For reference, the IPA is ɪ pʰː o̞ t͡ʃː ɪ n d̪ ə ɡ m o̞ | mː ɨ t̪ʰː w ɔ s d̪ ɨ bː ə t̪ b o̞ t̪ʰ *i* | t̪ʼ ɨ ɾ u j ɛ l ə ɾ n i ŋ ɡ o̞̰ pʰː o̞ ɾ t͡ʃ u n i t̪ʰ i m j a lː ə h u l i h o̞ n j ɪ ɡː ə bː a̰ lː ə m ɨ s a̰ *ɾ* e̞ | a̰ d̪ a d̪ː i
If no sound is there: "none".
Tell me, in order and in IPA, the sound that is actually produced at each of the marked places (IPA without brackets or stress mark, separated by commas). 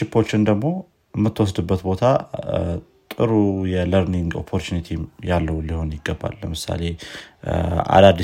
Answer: a, l